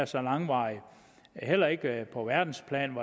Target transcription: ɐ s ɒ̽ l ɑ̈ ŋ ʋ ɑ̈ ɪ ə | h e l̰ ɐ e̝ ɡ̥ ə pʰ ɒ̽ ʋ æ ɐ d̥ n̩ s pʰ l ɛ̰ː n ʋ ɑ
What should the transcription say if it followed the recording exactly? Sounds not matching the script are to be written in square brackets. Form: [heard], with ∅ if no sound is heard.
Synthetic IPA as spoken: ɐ s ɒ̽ l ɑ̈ ŋ ʋ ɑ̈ ɪ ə | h e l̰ ɐ e̝ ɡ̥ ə pʰ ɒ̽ ʋ æ ɐ d̥ n̩ s pʰ l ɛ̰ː n ʋ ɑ